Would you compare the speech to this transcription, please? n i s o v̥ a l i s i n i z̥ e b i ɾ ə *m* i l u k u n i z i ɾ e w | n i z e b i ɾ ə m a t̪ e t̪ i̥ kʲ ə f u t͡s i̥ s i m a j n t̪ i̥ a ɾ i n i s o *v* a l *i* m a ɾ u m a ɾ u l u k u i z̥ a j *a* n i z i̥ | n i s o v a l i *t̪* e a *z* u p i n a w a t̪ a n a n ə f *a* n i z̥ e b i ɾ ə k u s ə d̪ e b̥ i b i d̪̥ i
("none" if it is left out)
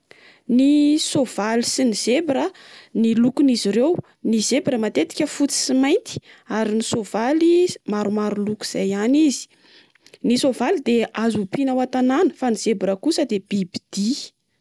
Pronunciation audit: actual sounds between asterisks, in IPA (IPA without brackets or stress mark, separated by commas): n, v, i, a, d̪, z, a